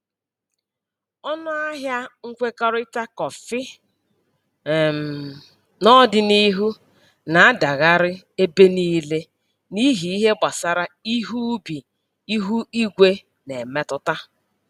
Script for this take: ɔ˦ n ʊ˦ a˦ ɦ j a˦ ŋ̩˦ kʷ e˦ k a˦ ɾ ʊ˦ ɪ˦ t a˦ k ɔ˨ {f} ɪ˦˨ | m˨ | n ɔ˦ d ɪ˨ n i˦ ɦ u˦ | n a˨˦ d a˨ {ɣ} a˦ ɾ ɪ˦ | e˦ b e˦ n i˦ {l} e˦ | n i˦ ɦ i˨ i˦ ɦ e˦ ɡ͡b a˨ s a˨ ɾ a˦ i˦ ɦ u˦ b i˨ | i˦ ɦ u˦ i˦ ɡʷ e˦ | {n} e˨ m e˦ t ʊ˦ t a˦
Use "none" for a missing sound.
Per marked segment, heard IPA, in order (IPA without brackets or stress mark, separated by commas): f, ɣ, l, n